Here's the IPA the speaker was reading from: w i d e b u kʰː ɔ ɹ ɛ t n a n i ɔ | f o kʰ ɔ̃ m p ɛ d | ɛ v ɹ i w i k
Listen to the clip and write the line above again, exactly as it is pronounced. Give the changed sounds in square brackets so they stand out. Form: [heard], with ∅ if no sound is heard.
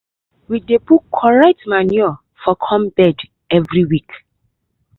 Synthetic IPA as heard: w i d e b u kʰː ɔ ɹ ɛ t [m] a n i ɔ | f [ɔ] kʰ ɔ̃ m [b] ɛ d | ɛ v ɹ i w i k